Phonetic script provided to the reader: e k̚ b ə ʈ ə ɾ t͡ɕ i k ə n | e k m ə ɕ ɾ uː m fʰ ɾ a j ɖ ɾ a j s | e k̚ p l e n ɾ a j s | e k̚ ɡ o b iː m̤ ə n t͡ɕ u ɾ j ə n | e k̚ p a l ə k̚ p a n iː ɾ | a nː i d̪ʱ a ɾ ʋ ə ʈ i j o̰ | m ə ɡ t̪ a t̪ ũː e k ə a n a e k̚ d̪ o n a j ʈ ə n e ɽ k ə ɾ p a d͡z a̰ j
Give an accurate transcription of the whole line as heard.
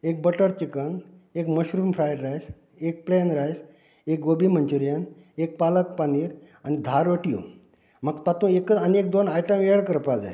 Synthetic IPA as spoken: e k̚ b ə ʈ ə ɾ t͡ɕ i k ə n | e k m ə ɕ ɾ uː m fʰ ɾ a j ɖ ɾ a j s | e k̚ p l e n ɾ a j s | e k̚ ɡ o b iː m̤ ə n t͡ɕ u ɾ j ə n | e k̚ p a l ə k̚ p a n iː ɾ | a n i d̪ʱ a ɾ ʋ ə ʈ i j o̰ | m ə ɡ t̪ a t̪ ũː e k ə a n i e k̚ d̪ o n a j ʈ ə m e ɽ k ə ɾ p a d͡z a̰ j

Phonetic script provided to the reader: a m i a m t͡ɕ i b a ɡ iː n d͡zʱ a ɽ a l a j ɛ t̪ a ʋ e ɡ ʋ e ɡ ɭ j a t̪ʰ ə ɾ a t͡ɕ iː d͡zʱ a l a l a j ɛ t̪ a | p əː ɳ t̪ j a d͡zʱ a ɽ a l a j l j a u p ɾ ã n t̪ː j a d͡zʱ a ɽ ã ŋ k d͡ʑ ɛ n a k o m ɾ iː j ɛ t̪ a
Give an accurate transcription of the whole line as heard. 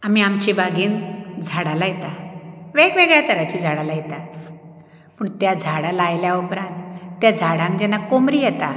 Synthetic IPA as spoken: a m i a m t͡ɕ i b a ɡ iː n d͡zʱ a ɽ a l a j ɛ t̪ a ʋ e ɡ ʋ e ɡ ɭ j a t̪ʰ ə ɾ a t͡ɕ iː d͡zʱ a ɽ a l a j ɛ t̪ a | p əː ɳ t̪ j a d͡zʱ a ɽ a l a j l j a u p ɾ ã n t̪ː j a d͡zʱ a ɽ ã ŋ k d͡ʑ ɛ n a k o m ɾ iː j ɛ t̪ a

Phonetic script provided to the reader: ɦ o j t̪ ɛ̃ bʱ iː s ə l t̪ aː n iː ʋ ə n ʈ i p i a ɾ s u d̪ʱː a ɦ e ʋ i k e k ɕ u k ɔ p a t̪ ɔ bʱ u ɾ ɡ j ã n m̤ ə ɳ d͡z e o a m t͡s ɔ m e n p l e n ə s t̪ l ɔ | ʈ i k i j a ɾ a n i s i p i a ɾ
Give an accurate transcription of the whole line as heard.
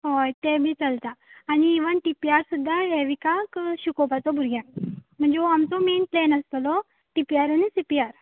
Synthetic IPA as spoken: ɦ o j t̪ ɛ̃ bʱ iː t͡s ə l t̪ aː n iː ʋ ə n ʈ i p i a ɾ s u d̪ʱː a ɦ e ʋ i k a k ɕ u k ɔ p a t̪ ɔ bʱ u ɾ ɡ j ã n m̤ ə ɳ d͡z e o a m t͡s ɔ m e n p l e n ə s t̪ l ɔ | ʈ i p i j a ɾ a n i s i p i a ɾ

